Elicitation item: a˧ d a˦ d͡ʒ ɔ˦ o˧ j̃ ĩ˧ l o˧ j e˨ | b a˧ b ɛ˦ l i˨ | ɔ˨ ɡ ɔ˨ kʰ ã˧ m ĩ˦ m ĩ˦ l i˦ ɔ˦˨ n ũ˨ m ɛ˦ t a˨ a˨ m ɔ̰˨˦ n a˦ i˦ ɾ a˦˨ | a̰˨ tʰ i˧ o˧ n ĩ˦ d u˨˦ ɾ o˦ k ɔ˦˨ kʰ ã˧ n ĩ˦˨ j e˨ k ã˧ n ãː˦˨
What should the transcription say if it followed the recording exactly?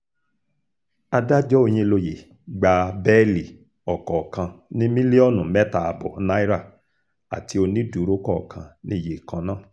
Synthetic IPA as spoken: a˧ d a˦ d͡ʒ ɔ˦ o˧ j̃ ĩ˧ l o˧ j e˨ | ɡ͡b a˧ b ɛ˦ l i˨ | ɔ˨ k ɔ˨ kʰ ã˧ n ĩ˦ m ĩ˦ l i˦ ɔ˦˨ n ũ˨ m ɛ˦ t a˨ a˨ b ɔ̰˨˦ n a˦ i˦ ɾ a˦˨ | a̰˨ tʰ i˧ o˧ n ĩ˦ d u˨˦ ɾ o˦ k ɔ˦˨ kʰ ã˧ n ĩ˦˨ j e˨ k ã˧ n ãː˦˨